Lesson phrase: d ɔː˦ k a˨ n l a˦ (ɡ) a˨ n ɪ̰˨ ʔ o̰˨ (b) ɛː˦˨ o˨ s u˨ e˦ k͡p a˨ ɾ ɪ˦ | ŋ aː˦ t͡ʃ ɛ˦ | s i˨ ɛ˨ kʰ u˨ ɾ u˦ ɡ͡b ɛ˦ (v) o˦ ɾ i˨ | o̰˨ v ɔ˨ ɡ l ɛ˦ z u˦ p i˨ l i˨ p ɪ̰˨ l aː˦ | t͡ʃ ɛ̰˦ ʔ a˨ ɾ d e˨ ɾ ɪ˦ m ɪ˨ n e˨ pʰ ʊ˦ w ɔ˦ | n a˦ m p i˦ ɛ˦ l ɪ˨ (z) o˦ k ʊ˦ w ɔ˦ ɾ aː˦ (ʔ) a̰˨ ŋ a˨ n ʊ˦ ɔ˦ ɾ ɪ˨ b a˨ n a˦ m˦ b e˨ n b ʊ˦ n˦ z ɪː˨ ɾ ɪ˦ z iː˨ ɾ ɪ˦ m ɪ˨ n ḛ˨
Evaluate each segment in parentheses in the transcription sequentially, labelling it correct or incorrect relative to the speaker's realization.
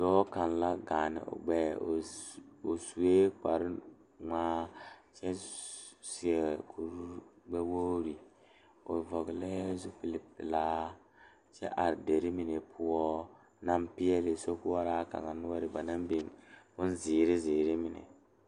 correct, incorrect: ɡ͡b, incorrect: w, incorrect: s, incorrect: k

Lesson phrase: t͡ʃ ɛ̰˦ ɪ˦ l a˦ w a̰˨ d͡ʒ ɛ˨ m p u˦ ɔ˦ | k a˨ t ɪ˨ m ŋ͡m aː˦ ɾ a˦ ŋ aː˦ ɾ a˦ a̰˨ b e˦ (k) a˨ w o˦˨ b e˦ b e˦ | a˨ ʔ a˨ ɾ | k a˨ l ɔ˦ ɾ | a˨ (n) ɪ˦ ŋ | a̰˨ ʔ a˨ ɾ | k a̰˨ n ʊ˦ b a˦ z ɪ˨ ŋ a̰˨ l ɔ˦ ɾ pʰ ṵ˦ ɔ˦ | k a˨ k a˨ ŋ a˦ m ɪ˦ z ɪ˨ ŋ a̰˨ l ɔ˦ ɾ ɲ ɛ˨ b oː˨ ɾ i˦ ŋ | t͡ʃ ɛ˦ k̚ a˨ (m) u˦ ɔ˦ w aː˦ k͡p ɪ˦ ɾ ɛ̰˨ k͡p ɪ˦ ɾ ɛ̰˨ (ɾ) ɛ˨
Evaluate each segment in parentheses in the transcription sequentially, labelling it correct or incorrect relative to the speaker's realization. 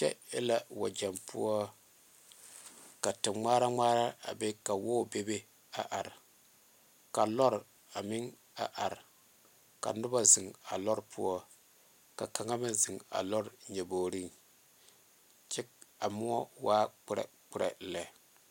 correct, incorrect: m, correct, incorrect: l

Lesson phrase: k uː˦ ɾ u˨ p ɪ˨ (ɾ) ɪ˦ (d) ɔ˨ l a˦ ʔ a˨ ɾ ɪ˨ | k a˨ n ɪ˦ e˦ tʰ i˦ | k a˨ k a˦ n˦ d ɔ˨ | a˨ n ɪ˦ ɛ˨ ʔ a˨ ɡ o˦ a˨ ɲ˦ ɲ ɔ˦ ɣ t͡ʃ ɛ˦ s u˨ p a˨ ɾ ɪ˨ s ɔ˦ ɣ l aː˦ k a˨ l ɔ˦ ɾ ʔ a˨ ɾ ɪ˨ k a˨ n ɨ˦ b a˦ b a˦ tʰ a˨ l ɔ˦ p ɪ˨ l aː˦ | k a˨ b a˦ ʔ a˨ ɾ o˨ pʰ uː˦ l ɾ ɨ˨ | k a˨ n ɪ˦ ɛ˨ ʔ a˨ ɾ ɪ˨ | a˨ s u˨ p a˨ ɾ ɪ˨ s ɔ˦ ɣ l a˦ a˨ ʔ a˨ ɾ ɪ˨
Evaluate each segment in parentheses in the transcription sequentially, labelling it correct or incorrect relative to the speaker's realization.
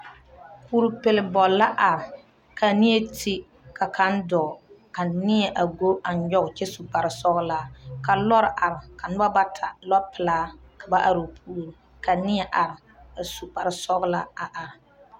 incorrect: l, incorrect: b

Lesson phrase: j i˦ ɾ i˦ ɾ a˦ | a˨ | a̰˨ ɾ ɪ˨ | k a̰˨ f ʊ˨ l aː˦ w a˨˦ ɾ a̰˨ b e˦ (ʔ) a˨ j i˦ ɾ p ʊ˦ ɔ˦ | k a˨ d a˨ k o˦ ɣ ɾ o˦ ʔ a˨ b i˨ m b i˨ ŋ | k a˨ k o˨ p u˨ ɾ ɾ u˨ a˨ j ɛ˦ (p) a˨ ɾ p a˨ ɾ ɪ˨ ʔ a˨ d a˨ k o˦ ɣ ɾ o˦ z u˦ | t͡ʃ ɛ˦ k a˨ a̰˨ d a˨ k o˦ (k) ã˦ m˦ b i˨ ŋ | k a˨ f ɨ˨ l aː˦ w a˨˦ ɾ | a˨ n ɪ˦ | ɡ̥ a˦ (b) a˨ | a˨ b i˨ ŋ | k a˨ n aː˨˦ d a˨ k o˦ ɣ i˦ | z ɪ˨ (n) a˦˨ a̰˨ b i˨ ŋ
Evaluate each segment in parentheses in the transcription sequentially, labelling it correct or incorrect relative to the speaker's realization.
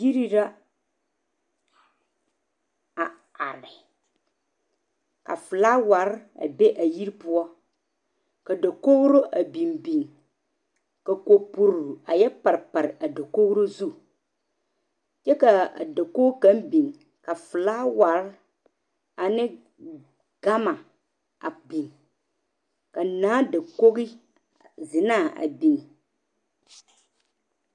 correct, correct, correct, incorrect: m, correct

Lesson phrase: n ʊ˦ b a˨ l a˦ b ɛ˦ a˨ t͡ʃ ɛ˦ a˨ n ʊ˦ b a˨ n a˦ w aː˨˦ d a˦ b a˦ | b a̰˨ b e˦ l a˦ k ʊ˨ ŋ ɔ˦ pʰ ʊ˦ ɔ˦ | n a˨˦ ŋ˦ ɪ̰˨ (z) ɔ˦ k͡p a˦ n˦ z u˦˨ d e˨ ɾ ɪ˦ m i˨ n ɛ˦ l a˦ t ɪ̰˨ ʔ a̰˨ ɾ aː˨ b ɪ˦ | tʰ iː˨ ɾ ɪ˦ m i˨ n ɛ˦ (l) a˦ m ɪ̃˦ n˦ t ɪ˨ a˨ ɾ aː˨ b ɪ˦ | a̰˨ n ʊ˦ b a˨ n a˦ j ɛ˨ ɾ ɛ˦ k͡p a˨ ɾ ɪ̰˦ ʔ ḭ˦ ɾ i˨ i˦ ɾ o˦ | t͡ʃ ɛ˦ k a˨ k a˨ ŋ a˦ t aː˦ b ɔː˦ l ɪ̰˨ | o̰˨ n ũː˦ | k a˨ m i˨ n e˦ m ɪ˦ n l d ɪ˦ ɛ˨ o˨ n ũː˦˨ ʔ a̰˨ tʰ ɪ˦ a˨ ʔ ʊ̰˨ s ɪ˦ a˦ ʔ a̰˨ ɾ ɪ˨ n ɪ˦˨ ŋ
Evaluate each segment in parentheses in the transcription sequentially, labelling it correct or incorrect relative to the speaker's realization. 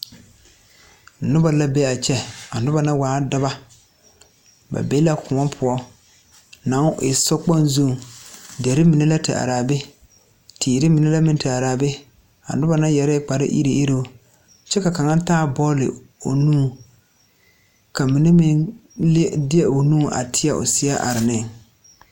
incorrect: s, correct

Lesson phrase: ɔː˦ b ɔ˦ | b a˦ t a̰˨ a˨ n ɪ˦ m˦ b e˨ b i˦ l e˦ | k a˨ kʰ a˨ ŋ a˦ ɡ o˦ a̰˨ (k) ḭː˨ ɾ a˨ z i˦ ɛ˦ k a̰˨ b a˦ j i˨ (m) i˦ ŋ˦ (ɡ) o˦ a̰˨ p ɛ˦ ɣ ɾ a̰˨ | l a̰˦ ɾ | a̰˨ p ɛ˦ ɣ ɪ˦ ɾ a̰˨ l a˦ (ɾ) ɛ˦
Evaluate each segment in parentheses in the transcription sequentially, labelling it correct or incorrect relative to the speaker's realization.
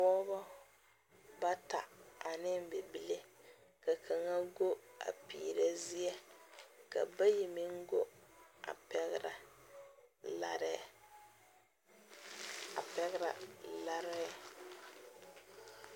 incorrect: p, correct, correct, correct

